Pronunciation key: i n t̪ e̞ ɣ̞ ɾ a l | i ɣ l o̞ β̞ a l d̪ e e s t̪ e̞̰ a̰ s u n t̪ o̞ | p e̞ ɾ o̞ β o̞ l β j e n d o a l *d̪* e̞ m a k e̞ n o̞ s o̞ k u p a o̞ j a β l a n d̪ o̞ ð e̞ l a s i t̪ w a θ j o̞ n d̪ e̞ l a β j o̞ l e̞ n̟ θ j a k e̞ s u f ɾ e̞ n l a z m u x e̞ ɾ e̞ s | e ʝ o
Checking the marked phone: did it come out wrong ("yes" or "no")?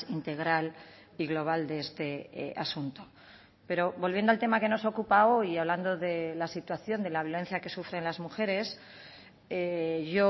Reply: yes